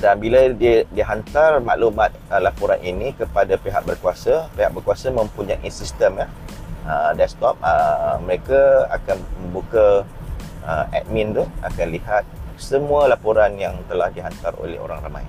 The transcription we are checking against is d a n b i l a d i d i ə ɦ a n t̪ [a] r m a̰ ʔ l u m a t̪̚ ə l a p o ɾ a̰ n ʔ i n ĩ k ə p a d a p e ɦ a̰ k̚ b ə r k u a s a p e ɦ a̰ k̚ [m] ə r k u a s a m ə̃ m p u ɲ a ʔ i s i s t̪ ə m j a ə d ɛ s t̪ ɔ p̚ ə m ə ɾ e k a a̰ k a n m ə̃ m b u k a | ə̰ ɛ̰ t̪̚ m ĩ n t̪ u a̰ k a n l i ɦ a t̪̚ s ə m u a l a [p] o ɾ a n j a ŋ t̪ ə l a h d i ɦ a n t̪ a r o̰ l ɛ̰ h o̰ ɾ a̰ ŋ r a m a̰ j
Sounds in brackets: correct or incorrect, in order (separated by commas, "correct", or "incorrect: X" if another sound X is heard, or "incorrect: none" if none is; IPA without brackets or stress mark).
correct, incorrect: b, correct